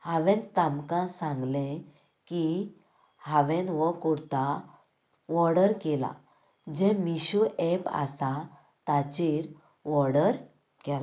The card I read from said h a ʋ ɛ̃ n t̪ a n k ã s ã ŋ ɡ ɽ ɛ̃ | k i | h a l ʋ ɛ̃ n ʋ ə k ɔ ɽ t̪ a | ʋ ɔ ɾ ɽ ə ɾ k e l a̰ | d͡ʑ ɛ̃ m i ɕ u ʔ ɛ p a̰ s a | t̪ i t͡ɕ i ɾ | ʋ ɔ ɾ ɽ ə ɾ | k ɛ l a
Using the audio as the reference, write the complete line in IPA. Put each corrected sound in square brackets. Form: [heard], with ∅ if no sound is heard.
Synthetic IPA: h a ʋ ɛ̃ n t̪ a [m] k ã s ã ŋ ɡ [l] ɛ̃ | k i | h a [∅] ʋ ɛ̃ n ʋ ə k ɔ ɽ t̪ a | ʋ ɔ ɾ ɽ ə ɾ k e l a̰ | d͡ʑ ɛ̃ m i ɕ u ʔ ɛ p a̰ s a | t̪ [a] t͡ɕ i ɾ | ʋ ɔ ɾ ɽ ə ɾ | k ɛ l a